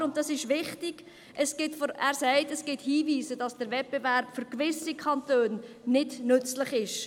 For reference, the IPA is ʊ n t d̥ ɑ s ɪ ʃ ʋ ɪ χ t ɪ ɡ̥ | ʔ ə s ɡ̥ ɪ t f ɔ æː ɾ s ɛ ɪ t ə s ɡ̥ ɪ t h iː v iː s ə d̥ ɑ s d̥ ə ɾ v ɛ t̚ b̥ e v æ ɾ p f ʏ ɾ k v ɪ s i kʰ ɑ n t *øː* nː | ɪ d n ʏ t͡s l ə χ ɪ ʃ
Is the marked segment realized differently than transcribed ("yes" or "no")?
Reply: no